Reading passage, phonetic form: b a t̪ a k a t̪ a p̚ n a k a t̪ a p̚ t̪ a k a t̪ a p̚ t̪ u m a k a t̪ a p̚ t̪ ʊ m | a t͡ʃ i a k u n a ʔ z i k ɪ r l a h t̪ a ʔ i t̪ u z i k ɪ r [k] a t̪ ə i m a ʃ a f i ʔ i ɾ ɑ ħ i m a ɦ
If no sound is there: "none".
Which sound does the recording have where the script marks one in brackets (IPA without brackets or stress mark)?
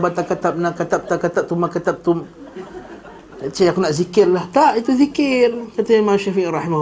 k